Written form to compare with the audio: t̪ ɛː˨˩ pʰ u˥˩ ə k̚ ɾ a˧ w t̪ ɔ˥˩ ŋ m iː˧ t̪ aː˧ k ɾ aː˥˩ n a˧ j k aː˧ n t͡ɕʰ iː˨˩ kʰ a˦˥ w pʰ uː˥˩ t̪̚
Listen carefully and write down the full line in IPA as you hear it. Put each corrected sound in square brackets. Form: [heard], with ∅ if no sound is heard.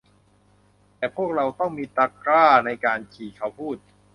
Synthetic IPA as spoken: t̪ ɛː˨˩ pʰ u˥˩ ə k̚ ɾ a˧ w t̪ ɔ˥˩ ŋ m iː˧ t̪ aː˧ k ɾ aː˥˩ n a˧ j k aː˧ n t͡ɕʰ iː˨˩ kʰ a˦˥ w pʰ uː˥˩ t̪̚